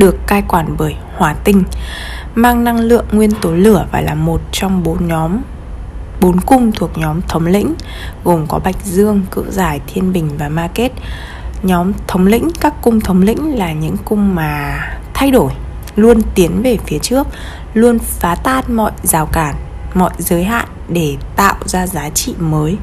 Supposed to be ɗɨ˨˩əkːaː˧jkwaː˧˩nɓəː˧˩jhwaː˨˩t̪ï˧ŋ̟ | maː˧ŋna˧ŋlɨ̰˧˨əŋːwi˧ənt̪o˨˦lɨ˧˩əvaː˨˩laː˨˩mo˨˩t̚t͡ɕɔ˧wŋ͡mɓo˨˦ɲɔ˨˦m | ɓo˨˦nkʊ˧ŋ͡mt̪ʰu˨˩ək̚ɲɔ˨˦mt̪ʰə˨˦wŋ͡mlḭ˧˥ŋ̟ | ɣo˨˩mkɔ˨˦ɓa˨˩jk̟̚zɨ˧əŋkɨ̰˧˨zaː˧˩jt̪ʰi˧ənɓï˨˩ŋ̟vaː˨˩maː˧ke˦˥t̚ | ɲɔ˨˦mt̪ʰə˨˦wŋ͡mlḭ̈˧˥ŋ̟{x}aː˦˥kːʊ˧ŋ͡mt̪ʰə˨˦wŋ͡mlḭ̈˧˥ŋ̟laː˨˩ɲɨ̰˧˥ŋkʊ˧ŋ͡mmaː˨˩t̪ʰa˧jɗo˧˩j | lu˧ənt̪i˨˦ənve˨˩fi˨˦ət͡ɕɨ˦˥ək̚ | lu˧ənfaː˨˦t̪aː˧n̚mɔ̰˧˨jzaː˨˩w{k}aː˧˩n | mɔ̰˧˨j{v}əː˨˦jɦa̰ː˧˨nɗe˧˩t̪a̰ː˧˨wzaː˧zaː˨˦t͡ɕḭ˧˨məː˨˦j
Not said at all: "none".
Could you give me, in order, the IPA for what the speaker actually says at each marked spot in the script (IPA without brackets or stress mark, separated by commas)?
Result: k, k, z